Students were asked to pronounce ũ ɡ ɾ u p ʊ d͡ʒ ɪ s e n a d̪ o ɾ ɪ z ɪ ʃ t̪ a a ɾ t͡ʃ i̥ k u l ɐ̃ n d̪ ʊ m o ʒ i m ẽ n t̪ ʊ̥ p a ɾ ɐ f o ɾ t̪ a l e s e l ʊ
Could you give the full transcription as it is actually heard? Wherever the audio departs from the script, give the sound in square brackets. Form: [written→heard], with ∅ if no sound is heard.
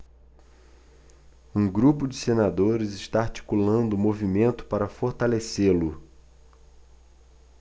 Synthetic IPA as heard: ũ ɡ ɾ u p ʊ d͡ʒ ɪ s e n a d̪ o ɾ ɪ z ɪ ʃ t̪ a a ɾ t͡ʃ i̥ k u l ɐ̃ n d̪ ʊ m o [ʒ→v] i m ẽ n t̪ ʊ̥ p a ɾ ɐ f o ɾ t̪ a l e s e l ʊ